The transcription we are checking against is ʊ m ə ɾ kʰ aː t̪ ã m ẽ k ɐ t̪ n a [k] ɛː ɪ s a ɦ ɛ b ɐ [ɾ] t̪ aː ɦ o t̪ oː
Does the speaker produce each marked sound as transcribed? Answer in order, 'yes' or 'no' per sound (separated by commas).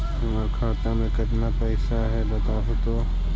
no, no